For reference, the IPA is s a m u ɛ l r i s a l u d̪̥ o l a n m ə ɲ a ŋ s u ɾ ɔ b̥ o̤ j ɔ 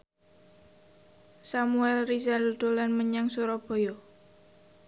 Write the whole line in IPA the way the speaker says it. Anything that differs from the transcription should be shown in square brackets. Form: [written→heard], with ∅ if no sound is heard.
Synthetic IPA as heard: s a m u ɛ l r i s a l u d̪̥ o l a n m ə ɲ a ŋ s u ɾ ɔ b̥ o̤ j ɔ